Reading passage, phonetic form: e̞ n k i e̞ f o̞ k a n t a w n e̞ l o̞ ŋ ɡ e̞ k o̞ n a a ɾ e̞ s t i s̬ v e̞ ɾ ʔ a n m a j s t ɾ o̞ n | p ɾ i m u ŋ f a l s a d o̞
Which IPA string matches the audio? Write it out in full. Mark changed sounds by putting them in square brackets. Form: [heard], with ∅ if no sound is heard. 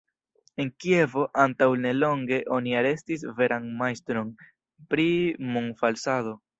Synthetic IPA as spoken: e̞ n k i e̞ [v] o̞ [ʔ] a n t a w n e̞ l o̞ ŋ ɡ e̞ [ʔ] o̞ n [i] a ɾ e̞ s t i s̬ v e̞ ɾ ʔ a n m a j s t ɾ o̞ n | p ɾ i m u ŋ f a l s a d o̞